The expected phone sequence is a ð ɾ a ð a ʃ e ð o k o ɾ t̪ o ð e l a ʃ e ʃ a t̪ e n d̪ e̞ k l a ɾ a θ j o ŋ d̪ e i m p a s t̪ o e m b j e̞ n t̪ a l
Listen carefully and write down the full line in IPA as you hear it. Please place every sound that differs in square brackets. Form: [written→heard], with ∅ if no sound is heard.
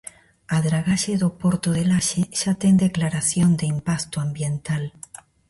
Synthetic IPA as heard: a ð ɾ a [ð→ɣ] a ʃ e ð o [k→p] o ɾ t̪ o ð e l a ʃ e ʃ a t̪ e n d̪ e̞ k l a ɾ a θ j o [ŋ→n] d̪ e i m p a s t̪ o [e→a] m b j e̞ n t̪ a l